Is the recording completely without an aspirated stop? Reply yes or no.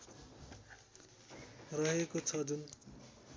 no